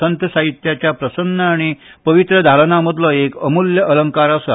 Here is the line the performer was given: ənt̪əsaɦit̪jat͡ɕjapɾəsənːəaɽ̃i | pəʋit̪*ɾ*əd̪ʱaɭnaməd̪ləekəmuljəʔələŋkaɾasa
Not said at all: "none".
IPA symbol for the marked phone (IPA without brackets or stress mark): ɾ